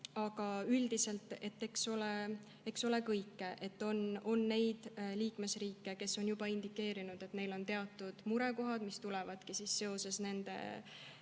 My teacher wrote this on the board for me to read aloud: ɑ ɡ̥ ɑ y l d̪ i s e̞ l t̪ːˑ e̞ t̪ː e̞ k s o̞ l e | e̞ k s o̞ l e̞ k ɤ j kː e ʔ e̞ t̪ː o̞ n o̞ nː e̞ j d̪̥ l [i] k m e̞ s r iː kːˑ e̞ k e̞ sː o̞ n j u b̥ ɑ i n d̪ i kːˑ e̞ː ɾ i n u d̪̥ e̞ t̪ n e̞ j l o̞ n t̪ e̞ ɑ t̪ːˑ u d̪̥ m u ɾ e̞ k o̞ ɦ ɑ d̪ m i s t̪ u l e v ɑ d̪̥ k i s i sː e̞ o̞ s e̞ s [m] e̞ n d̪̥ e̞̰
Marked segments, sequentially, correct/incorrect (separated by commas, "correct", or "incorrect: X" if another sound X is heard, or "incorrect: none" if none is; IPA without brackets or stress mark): incorrect: iː, incorrect: n